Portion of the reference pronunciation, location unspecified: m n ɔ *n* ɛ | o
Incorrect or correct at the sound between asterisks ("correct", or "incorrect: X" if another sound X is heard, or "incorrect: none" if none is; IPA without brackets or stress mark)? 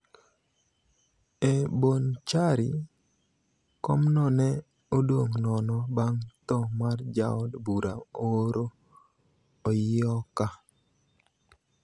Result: correct